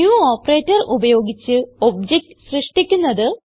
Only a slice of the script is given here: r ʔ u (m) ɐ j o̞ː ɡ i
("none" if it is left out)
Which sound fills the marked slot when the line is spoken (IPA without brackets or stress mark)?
b